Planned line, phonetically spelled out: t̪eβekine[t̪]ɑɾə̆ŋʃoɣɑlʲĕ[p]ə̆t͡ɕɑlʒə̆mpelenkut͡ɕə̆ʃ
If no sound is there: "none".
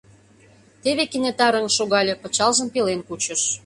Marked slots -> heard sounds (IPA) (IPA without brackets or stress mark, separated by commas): t̪, p